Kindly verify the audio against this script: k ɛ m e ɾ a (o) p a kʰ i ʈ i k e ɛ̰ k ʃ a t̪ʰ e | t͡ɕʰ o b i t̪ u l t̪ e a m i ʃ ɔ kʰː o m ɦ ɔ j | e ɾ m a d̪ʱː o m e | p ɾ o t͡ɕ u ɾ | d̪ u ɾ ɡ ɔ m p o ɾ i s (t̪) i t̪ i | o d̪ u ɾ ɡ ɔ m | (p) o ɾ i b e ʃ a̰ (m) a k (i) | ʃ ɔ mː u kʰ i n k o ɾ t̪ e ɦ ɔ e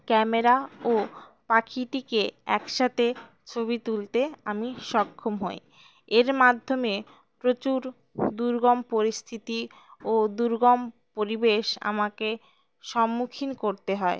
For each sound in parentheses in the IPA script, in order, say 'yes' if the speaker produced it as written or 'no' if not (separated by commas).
yes, no, yes, yes, no